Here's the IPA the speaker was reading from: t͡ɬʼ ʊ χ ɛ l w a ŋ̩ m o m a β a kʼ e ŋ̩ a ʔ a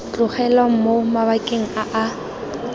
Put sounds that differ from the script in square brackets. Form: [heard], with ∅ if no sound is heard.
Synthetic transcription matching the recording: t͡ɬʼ ʊ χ ɛ l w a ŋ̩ m o m a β a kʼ e ŋ̩ a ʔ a